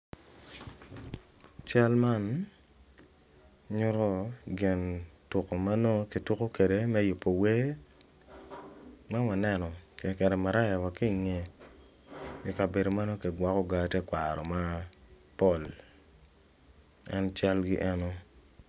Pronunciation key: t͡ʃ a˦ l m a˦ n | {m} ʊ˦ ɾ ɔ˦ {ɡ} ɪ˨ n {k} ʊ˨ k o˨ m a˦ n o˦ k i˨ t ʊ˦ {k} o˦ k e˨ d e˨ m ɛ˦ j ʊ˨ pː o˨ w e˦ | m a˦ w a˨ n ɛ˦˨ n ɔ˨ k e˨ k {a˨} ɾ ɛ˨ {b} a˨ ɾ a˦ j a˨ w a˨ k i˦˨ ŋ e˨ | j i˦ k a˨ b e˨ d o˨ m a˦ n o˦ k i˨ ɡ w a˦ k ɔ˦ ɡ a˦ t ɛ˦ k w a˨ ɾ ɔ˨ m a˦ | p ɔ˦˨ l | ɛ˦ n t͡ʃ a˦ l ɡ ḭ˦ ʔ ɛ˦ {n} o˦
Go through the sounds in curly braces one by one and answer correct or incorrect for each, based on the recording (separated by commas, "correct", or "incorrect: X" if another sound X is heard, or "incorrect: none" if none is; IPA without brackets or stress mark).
incorrect: ɲ, correct, incorrect: t, correct, incorrect: ɛ˨, incorrect: m, correct